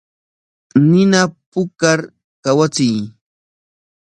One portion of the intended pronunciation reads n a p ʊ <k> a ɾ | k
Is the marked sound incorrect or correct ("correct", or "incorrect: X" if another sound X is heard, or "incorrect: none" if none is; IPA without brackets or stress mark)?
correct